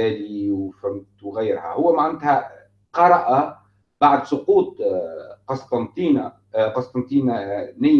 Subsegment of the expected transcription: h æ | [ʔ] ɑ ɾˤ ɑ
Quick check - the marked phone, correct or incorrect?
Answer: incorrect